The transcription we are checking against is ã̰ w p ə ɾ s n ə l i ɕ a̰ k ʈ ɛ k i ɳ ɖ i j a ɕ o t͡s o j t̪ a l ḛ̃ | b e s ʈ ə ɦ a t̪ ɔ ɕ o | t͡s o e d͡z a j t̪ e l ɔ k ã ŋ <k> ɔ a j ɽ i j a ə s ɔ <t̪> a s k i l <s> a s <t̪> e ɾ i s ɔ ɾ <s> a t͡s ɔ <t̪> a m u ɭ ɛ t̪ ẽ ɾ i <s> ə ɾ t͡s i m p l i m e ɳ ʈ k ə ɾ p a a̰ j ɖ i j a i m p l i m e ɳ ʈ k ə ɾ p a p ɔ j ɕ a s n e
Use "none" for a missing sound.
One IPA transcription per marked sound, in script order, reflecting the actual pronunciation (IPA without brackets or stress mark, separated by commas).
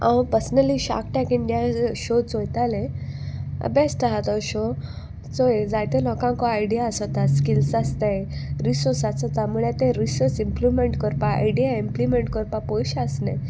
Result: k, t̪, s, t̪, s, t̪, s